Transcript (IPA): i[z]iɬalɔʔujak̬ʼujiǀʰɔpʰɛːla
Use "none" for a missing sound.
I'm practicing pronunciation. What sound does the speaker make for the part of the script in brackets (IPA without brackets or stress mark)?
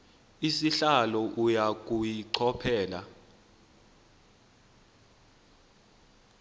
s